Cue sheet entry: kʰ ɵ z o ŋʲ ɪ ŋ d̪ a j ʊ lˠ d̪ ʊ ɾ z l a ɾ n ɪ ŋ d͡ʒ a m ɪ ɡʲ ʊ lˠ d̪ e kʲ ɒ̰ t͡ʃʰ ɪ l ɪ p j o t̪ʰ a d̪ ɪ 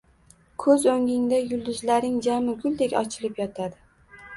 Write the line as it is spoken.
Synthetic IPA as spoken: kʰ ɵ z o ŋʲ ɪ ŋ d̪ a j ʊ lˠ d̪ ʊ z l a ɾ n ɪ ŋ d͡ʒ a m ɪ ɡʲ ʊ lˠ d̪ e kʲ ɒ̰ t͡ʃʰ ɪ l ɪ p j ɒ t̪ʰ a d̪ ɪ

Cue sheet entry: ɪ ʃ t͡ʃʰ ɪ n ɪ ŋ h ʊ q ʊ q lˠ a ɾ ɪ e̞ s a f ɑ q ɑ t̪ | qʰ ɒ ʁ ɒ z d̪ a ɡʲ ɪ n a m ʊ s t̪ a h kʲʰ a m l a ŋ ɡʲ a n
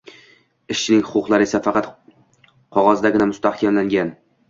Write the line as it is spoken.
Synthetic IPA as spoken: ɪ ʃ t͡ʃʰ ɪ n ɪ ŋ h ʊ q ʊ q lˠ a ɾ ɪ e̞ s a f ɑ q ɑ t̪ | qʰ ɒ ʁ ɒ z d̪ a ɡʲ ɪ n a m ʊ s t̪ a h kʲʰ a m l a ŋ ɡʲ a n

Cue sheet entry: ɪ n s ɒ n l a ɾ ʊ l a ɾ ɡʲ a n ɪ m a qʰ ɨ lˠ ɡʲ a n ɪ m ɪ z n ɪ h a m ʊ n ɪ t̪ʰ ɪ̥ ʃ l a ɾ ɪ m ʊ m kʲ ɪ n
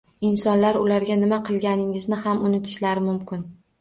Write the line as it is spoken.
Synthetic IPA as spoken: ɪ n s ɒ n l a ɾ ʊ l a ɾ ɡʲ a n ɪ m a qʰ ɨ lˠ ɡʲ a n ɪ ŋ ɪ z n ɪ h a m ʊ n ɪ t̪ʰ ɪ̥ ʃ l a ɾ ɪ m ʊ m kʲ ɪ n

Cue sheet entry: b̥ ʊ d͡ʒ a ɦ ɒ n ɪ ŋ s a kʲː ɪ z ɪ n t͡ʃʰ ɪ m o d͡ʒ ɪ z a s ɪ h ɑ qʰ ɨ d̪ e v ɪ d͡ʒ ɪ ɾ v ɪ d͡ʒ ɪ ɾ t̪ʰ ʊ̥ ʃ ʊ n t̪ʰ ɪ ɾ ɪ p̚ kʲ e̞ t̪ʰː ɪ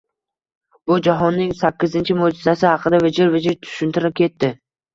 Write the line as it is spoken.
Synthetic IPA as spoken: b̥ ʊ d͡ʒ a ɦ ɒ nː ɪ ŋ s a kʲː ɪ z ɪ n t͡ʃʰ ɪ m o d͡ʒ ɪ z a s ɪ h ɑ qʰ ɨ d̪ a v ɪ d͡ʒ ɪ ɾ v ɪ d͡ʒ ɪ ɾ t̪ʰ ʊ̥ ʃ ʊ n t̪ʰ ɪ ɾ ɪ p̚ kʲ e̞ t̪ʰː ɪ

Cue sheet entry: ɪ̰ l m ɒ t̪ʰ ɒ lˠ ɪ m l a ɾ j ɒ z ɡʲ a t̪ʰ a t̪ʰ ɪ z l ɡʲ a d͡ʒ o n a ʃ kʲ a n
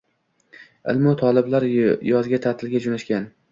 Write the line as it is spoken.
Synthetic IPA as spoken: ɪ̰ l m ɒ t̪ʰ ɒ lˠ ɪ b l a ɾ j ɒ z ɡʲ a t̪ʰ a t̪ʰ ɪ l ɡʲ a d͡ʒ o n a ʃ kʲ a n

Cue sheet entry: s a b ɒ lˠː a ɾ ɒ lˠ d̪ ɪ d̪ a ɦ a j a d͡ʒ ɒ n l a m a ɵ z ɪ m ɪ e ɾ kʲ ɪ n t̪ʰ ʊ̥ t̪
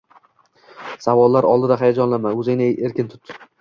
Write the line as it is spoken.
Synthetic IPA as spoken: s a v ɒ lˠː a ɾ ɒ lˠ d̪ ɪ d̪ a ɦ a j a d͡ʒ ɒ n l a m a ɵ z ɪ n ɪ e ɾ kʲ ɪ n t̪ʰ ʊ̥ t̪

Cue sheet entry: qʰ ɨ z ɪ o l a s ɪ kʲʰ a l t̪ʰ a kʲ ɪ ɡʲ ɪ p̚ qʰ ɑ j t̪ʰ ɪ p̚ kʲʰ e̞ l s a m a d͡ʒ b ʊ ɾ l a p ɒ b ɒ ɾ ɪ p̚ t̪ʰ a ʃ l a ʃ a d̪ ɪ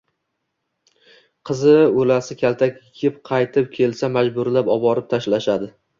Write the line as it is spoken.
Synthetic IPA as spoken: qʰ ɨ z ɪ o l a s ɪ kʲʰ a l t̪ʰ a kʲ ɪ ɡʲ ɪ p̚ qʰ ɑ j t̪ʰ ɪ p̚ kʲʰ e̞ l s a m a d͡ʒ b ʊ ɾ l a p ɒ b ɒ ɾ ɪ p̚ t̪ʰ a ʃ l a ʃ a d̪ ɪ

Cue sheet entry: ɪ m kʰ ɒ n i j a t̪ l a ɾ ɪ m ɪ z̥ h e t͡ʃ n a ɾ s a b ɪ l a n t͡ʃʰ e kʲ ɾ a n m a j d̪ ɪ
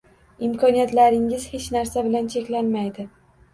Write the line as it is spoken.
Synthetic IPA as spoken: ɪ m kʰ ɒ n i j a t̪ l a ɾ ɪ ŋ ɪ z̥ h e t͡ʃ n a ɾ s a b ɪ l a n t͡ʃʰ e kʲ l a n m a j d̪ ɪ

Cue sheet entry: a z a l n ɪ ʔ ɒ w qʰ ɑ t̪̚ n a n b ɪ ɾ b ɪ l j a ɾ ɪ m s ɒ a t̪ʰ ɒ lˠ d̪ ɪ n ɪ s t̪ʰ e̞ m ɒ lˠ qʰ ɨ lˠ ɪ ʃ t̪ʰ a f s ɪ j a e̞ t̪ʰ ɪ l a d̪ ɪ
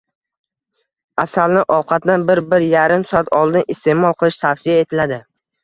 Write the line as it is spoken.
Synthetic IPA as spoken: a s a l n ɪ ʔ ɒ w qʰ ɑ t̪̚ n a n b ɪ ɾ b ɪ ɾ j a ɾ ɪ m s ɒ a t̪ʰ ɒ lˠ d̪ ɪ n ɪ s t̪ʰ e̞ m ɒ lˠ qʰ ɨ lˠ ɪ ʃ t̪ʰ a f s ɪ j a e̞ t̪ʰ ɪ l a d̪ ɪ

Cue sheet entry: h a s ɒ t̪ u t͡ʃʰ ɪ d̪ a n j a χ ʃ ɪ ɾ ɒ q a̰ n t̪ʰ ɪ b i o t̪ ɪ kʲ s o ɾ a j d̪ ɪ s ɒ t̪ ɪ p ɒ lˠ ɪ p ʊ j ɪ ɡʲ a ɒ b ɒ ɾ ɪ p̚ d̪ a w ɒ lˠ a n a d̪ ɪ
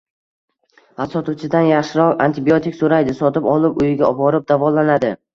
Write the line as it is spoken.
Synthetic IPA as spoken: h a s ɒ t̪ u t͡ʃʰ ɪ d̪ a n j a χ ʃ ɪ ɾ ɒ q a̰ n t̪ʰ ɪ b i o t̪ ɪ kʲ s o ɾ a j d̪ ɪ s ɒ t̪ ɪ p ɒ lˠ ɪ p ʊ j ɪ ɡʲ a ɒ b ɒ ɾ ɪ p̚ d̪ a v ɒ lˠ a n a d̪ ɪ

